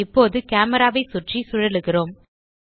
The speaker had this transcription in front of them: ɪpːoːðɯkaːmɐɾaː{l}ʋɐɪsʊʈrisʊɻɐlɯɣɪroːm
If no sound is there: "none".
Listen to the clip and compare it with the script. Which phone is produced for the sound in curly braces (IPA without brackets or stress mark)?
none